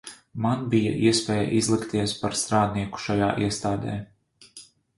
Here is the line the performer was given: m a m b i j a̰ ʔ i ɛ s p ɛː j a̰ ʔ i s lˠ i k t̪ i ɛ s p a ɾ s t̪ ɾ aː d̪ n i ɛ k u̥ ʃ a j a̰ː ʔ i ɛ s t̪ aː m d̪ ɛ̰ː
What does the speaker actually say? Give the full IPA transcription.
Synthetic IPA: m a n b i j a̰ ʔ i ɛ s p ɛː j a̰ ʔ i z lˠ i k t̪ i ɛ s p a ɾ s t̪ ɾ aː d̪ n i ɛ k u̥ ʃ a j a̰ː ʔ i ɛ s t̪ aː d̪ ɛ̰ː